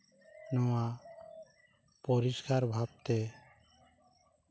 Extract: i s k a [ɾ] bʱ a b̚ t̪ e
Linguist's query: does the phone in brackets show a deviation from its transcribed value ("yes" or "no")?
no